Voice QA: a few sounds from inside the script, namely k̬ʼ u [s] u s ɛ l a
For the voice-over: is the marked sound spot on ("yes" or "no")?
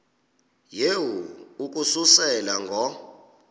yes